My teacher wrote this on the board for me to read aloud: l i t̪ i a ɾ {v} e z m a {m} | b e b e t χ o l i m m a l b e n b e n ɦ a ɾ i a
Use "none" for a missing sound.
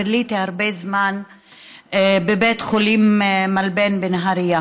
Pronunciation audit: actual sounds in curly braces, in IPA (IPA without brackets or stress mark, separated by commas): b, n